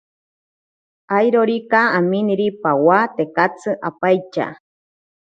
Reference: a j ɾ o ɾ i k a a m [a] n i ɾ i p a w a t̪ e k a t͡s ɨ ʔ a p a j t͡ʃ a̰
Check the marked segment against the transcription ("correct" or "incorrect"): incorrect